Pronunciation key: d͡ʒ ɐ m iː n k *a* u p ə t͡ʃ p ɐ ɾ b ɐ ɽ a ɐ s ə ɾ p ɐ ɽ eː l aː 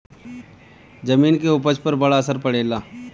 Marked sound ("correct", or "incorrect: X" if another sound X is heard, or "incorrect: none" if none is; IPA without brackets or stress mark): incorrect: e